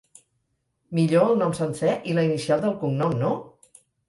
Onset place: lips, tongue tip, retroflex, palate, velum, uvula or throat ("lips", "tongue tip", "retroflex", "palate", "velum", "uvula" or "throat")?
lips